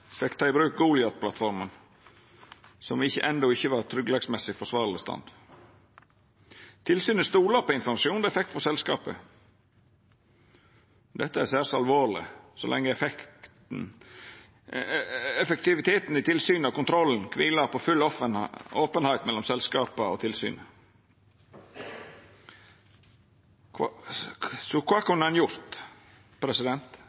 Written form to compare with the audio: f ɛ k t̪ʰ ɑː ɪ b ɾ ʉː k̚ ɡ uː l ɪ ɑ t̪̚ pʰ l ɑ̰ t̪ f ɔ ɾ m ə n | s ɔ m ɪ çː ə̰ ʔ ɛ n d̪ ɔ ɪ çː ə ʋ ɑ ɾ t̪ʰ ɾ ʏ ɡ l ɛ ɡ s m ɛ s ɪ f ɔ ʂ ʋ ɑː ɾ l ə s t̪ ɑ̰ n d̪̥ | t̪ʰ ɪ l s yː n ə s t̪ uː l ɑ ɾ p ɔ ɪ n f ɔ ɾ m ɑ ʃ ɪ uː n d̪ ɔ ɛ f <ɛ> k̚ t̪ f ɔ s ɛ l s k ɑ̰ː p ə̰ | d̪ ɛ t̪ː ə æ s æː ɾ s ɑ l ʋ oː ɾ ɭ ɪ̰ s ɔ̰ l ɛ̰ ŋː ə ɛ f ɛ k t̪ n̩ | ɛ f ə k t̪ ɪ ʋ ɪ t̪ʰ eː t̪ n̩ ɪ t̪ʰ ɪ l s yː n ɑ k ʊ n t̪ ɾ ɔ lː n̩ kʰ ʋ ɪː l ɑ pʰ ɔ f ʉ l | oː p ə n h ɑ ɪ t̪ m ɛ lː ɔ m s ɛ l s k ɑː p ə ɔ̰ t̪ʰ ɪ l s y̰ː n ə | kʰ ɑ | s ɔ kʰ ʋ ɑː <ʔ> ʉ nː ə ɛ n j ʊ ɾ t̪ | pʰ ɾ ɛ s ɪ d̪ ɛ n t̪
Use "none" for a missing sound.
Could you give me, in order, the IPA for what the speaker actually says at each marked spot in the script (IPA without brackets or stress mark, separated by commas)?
ɛ, k